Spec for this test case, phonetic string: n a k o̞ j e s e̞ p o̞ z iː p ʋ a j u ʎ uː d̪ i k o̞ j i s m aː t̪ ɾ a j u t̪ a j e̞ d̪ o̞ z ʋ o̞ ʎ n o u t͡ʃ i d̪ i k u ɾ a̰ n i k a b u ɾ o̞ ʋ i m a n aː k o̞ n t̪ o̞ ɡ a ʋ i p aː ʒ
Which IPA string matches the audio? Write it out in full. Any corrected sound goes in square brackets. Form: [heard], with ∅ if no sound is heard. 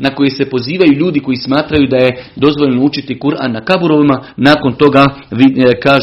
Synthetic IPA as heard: n a k o̞ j e s e̞ p o̞ z iː [∅] ʋ a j u ʎ uː d̪ i k o̞ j i s m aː t̪ ɾ a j u [d̪] a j e̞ d̪ o̞ z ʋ o̞ ʎ n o u t͡ʃ i [t̪] i k u ɾ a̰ n [a] k a b u ɾ o̞ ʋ i m a n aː k o̞ n t̪ o̞ ɡ a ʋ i [k] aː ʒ